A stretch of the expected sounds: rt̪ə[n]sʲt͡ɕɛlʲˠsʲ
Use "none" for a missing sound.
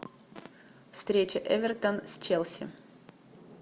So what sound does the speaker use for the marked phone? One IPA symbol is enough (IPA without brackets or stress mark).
n